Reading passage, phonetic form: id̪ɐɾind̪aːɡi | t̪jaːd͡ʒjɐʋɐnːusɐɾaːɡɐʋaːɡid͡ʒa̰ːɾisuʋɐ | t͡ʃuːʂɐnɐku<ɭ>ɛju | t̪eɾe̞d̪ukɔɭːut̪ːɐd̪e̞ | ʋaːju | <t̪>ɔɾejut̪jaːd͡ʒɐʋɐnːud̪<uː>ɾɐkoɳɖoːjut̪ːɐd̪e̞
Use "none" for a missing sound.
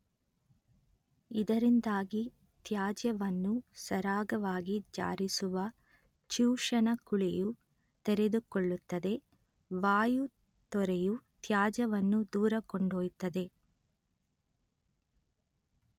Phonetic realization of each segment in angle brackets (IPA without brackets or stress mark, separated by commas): ɭ, t̪, uː